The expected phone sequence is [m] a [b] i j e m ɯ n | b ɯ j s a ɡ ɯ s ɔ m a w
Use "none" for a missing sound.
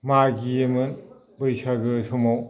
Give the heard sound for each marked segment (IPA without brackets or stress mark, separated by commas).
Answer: m, ɡ